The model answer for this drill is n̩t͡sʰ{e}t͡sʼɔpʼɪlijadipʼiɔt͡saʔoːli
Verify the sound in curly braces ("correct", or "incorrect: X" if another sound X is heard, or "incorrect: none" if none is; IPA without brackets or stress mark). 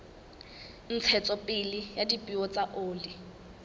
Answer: incorrect: ɛ